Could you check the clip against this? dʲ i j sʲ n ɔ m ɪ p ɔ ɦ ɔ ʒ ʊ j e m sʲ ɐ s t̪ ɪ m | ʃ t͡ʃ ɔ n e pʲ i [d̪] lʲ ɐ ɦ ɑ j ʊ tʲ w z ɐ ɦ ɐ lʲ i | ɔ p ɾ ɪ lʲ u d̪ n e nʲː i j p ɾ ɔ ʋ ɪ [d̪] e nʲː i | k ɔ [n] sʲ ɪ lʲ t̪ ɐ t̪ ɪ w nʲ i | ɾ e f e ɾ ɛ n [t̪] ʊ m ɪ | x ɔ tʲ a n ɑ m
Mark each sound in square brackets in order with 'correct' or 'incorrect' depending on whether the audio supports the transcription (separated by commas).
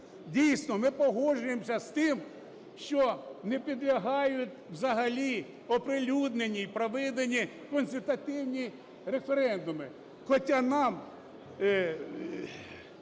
correct, correct, correct, incorrect